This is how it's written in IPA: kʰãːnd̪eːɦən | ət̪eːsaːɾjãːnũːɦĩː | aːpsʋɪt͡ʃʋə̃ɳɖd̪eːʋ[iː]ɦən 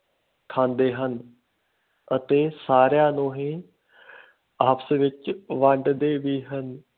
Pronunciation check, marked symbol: correct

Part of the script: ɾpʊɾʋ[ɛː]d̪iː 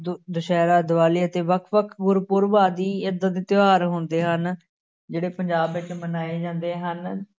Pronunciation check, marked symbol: incorrect: aː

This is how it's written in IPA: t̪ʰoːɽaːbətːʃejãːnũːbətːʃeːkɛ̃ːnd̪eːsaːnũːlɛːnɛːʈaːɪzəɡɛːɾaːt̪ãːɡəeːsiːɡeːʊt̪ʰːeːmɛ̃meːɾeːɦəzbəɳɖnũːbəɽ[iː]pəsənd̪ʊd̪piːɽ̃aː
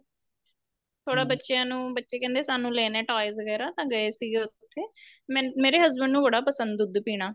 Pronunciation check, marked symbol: incorrect: aː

